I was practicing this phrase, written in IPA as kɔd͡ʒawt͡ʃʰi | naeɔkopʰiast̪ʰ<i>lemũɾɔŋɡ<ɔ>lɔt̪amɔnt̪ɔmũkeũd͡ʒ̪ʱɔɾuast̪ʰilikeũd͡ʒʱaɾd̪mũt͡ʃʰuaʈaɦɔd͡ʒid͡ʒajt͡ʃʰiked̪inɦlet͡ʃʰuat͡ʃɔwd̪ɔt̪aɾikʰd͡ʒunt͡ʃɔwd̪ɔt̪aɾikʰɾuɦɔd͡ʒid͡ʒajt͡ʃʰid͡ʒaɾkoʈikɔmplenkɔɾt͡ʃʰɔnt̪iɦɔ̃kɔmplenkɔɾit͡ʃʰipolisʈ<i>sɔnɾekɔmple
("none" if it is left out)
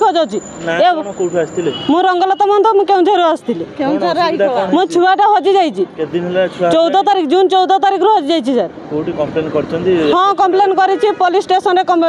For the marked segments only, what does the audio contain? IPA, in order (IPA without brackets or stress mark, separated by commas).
i, ɔ, e